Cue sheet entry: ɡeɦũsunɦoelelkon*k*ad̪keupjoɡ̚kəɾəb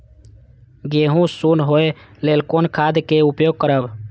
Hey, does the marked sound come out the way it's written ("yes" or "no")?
no